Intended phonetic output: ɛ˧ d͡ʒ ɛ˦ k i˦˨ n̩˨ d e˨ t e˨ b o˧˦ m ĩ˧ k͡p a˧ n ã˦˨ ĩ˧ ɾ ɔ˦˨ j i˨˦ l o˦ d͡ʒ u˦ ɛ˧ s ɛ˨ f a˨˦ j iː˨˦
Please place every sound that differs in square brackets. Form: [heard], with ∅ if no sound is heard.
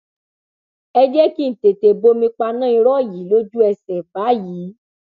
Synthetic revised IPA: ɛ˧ d͡ʒ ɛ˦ k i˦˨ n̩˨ [t] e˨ t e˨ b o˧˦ m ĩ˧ k͡p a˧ n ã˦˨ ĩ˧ ɾ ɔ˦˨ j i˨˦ l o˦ d͡ʒ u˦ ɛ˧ s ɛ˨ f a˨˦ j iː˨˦